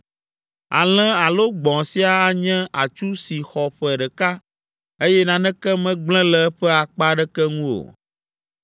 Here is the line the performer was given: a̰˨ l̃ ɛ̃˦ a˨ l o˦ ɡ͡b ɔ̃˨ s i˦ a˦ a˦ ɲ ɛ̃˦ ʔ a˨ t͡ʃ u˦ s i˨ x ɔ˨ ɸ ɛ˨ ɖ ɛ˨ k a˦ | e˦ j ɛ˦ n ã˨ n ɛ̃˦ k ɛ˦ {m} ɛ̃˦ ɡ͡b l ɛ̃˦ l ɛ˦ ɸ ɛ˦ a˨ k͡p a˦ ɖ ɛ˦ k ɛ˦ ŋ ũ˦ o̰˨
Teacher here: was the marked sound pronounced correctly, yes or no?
yes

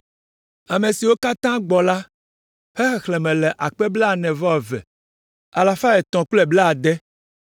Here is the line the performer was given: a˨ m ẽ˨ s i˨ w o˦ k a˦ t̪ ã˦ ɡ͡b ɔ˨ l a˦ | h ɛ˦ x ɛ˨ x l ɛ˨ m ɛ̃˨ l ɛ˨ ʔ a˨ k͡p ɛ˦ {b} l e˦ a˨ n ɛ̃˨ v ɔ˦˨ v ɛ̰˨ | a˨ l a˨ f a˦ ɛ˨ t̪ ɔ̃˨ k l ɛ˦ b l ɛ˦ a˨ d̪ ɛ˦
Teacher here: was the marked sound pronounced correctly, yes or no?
yes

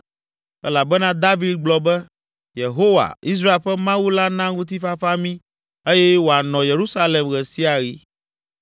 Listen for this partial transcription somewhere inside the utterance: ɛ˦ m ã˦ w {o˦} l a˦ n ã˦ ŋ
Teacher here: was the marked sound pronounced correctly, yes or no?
no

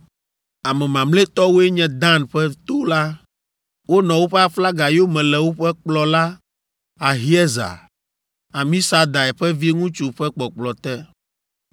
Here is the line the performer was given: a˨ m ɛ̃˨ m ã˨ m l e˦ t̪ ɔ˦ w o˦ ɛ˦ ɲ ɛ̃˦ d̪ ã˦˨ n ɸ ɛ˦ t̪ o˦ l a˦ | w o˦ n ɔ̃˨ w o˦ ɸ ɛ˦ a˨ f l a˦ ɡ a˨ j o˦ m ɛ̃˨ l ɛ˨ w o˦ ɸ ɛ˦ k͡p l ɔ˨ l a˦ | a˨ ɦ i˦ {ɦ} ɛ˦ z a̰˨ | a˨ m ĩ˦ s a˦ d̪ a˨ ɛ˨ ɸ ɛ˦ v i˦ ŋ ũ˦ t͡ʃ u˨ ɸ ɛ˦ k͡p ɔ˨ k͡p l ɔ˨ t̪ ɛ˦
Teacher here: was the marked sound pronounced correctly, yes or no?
no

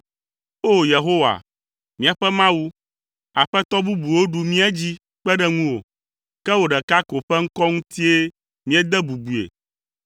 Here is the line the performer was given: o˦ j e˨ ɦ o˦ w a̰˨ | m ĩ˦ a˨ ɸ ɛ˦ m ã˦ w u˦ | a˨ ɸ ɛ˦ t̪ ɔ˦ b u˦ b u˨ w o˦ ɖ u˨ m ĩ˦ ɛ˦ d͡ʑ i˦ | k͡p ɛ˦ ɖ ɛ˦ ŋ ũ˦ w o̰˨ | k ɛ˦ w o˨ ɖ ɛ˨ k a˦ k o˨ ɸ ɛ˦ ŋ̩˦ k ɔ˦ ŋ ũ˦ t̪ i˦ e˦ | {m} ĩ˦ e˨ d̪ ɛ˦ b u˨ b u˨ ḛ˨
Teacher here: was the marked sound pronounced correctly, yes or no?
yes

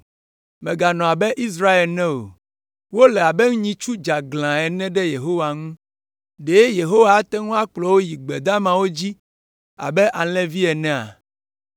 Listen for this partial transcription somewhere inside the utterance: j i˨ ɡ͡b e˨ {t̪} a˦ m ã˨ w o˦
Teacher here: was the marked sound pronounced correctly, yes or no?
no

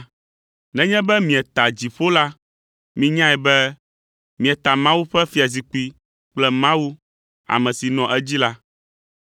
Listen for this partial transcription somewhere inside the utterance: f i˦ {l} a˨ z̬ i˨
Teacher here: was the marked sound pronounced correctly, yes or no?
no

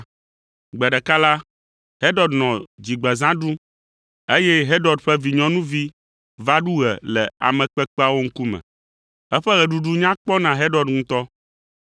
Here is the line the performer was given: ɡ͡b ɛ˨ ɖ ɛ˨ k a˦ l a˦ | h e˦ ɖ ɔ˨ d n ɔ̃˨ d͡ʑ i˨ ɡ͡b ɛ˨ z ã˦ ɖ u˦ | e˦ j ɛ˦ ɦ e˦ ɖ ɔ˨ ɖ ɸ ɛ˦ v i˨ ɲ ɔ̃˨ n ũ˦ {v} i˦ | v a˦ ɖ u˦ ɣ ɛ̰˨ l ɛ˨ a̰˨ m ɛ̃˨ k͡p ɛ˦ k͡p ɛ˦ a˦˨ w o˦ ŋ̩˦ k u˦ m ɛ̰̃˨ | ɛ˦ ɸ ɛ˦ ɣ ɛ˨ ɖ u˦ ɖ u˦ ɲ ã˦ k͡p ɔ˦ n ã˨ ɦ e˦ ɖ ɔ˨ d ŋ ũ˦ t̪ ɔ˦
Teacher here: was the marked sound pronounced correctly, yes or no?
yes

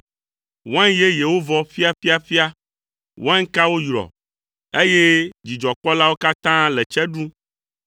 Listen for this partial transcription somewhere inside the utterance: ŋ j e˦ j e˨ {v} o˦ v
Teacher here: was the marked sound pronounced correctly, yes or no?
no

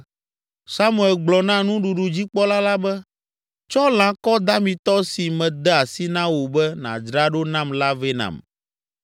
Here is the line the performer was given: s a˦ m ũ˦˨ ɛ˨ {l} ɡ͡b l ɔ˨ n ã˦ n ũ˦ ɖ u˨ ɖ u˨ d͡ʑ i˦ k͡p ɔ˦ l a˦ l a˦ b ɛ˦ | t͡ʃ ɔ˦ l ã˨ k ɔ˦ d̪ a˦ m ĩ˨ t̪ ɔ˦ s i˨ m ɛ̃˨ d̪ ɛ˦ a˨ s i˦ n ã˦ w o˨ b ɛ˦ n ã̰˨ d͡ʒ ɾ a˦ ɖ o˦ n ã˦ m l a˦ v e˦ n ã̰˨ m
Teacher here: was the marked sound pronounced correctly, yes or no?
yes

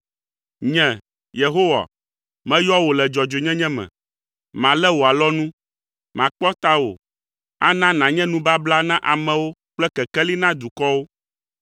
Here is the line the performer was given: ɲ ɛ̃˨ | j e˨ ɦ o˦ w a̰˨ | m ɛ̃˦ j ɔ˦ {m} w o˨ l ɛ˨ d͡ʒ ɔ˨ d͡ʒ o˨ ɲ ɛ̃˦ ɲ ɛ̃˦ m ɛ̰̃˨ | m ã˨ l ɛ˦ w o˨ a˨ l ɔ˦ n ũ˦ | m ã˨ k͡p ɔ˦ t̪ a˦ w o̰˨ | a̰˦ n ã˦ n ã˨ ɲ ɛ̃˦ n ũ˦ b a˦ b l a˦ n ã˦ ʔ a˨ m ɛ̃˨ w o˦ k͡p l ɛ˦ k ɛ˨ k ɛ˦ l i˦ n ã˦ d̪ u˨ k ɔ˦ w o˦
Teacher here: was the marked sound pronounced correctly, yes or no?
no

